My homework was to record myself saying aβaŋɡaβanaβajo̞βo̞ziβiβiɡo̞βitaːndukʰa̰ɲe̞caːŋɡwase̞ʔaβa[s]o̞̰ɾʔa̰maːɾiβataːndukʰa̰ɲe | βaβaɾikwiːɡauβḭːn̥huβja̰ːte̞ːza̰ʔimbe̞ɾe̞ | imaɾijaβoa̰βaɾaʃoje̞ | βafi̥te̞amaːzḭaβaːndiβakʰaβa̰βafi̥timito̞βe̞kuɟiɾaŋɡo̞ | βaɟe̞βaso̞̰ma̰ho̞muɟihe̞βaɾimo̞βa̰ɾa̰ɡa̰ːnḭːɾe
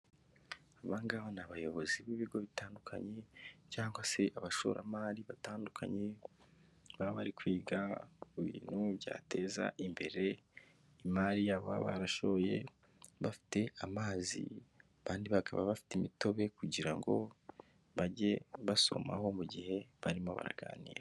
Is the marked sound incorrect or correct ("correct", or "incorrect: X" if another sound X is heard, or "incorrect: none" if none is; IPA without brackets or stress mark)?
incorrect: ʃ